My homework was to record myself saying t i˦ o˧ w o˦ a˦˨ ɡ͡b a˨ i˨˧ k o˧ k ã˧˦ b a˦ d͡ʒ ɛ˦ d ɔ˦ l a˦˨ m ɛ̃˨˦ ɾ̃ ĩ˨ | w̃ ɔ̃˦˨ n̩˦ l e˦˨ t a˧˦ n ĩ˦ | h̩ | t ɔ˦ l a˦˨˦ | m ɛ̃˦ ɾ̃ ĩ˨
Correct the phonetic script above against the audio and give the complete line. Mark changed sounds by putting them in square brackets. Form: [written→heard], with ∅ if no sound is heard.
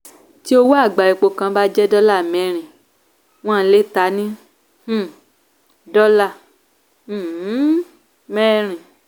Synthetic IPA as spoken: t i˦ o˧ w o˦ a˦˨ ɡ͡b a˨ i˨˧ [k→k͡p] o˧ k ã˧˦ b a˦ d͡ʒ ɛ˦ d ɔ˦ l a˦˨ m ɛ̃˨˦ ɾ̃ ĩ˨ | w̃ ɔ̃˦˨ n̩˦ l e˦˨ t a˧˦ n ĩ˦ | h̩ | [t→d] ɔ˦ l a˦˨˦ | m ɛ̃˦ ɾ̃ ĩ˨